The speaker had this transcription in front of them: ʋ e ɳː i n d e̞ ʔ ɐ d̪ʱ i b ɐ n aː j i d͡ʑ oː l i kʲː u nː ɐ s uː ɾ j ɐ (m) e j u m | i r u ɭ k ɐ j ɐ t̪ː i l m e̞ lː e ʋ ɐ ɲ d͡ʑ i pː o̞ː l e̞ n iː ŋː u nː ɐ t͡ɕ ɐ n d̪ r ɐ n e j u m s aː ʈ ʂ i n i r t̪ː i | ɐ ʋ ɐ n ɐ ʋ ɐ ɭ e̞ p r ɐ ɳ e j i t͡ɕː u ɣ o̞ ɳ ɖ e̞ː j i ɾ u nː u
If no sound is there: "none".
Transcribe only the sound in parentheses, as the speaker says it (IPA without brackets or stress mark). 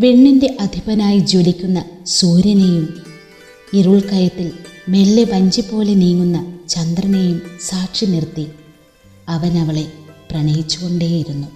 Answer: n